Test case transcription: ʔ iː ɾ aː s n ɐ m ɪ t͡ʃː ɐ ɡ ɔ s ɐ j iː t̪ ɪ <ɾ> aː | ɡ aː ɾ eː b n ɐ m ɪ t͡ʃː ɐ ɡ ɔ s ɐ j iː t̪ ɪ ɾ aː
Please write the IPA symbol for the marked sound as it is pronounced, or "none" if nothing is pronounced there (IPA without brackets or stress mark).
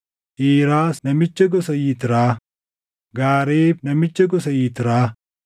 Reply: ɾ